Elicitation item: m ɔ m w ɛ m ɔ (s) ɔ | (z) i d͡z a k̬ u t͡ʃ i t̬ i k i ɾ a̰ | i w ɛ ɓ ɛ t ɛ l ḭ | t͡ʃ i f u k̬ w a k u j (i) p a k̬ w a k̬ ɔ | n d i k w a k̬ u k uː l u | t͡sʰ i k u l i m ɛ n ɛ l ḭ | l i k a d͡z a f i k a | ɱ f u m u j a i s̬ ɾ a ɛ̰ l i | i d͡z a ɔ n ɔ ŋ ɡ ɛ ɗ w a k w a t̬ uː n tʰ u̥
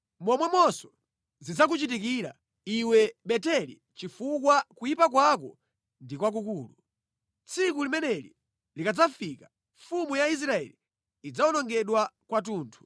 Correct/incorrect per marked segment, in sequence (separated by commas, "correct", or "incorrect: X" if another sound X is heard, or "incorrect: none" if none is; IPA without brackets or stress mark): correct, correct, correct